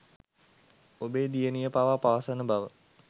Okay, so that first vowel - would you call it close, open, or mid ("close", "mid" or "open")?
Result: mid